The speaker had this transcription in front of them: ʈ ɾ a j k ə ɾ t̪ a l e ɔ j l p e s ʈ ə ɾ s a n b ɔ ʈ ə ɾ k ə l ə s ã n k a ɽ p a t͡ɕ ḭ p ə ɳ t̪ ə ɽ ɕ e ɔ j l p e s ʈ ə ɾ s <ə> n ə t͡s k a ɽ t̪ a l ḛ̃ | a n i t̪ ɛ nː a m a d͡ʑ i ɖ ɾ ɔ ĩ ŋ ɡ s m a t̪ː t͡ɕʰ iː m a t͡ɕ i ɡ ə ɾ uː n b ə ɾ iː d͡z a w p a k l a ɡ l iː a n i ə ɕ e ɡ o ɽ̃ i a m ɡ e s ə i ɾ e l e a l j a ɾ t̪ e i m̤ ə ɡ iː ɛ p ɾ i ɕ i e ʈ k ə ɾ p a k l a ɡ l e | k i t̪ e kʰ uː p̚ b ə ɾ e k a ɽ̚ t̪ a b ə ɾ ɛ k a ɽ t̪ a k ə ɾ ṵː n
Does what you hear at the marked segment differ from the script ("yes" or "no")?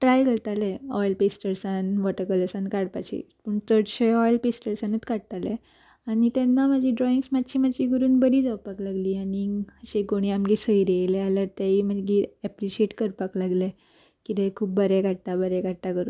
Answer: yes